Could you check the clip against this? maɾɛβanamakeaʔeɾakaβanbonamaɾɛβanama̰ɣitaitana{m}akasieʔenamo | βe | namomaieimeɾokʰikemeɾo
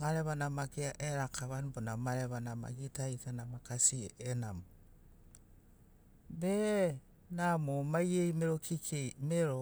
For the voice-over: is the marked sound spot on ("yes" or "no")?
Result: yes